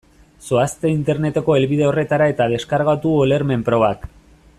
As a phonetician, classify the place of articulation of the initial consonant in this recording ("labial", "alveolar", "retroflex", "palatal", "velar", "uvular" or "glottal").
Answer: alveolar